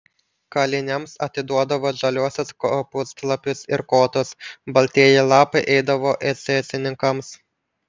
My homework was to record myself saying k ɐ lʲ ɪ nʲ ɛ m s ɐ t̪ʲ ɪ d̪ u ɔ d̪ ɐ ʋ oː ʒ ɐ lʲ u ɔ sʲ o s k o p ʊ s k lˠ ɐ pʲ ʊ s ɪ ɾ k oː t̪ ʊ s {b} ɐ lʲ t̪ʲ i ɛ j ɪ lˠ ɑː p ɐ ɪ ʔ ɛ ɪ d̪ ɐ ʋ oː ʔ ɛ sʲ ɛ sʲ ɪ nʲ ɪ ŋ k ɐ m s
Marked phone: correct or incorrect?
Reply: correct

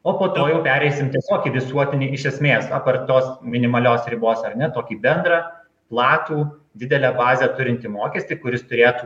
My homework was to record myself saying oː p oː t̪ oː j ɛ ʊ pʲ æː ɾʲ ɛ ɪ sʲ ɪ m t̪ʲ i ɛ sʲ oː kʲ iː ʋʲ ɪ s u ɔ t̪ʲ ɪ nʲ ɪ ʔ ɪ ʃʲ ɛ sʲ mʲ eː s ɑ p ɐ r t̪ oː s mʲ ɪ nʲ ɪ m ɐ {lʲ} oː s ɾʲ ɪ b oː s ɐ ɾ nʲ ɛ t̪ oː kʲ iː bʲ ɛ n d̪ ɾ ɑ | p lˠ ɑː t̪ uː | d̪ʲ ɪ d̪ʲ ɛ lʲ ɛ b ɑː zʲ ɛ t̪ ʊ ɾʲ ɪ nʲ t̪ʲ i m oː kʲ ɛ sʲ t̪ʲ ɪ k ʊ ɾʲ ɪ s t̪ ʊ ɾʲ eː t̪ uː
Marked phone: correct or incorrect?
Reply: correct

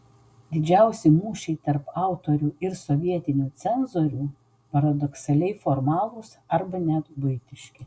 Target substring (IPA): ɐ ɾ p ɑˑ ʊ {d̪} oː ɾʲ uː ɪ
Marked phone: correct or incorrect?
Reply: incorrect: t̪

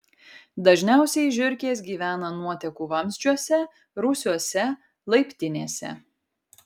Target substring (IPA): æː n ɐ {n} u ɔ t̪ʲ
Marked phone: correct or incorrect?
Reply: correct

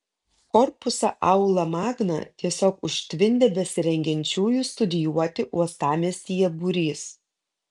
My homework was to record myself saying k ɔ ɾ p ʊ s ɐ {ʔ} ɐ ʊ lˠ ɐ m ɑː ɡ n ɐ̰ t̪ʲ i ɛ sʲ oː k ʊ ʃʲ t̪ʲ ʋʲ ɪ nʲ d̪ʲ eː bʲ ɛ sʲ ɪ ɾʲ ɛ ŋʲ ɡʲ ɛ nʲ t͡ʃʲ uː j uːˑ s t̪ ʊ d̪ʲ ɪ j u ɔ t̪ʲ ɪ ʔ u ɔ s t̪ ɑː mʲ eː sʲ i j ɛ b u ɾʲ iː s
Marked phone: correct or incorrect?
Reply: correct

